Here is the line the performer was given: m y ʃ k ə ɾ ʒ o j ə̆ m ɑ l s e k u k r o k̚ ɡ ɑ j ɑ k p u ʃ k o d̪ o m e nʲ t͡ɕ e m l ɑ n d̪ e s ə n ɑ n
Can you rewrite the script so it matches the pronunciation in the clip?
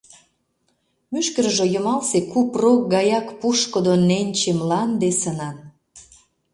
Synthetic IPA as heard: m y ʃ k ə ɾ ʒ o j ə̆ m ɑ l s e k u p r o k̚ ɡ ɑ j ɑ k p u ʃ k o d̪ o n e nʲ t͡ɕ e m l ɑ n d̪ e s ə n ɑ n